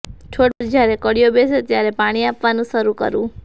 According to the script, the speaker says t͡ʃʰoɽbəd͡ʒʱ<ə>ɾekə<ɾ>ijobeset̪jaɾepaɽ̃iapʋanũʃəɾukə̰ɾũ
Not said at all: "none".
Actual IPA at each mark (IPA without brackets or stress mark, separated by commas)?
a, ɽ